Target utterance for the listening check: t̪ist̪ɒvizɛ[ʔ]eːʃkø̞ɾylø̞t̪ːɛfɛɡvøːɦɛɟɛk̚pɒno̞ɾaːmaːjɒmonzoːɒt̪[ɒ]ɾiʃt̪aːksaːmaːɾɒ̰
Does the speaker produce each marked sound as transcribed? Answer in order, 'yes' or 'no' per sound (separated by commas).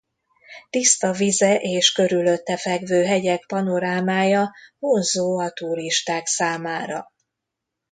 yes, no